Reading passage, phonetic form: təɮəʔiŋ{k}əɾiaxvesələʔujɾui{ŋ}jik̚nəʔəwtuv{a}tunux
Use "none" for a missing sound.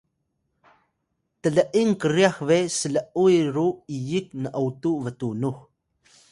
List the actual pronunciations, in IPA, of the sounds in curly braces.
k, none, ə

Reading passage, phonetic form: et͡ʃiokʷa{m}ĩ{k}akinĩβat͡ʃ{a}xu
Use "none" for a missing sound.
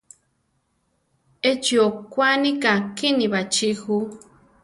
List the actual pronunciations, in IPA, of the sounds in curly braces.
n, k, i

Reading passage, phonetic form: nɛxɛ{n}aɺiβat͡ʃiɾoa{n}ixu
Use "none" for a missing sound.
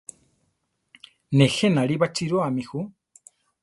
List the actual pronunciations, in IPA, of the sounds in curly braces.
n, m

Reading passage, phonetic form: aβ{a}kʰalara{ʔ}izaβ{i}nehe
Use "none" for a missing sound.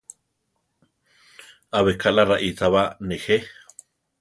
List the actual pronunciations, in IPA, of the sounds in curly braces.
e, ʔ, a

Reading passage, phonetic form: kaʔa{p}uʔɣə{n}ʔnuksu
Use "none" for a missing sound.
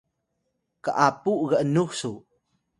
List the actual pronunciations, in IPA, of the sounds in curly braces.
p, none

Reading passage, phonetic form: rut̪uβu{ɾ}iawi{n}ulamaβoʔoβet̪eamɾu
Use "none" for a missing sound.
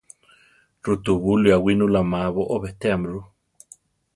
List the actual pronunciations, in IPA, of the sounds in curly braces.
l, n

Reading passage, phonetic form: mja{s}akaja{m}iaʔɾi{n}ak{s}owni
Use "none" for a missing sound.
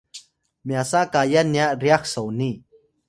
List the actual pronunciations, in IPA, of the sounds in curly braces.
s, n, none, s

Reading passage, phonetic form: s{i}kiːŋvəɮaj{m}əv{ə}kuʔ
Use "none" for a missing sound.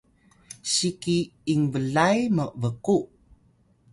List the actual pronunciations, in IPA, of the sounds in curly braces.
i, m, ə

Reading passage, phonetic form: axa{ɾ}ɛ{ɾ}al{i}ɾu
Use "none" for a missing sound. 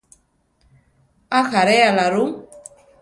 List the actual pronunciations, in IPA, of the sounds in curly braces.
ɾ, none, a

